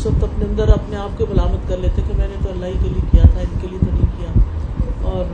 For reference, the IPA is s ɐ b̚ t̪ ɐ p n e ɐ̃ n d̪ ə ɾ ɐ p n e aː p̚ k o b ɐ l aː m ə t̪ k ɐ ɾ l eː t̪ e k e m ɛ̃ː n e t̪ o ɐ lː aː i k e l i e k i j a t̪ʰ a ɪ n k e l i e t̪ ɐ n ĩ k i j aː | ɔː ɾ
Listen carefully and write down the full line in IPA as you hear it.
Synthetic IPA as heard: s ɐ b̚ t̪ ɐ p n e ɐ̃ n d̪ ə ɾ ɐ p n e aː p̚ k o b ɐ l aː m ə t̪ k ɐ ɾ l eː t̪ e k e m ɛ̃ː n e t̪ o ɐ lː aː i k e l i e k i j a t̪ʰ a ɪ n k e l i e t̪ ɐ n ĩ k i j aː | ɔː ɾ